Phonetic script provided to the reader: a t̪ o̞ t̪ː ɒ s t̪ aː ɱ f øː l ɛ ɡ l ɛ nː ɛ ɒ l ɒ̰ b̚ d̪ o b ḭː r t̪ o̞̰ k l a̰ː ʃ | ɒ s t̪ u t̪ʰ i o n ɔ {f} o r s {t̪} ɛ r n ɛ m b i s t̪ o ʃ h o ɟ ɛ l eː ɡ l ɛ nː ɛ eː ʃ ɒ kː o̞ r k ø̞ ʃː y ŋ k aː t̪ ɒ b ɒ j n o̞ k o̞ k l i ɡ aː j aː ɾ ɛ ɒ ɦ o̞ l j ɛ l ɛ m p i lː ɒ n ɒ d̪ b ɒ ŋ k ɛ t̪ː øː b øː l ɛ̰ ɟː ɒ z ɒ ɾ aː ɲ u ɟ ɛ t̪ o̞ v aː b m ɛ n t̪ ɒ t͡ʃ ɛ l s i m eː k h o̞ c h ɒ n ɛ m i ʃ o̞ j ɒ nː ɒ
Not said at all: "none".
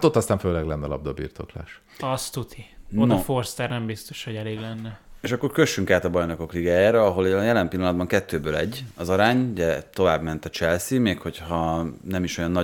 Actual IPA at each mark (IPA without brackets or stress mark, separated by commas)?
f, t̪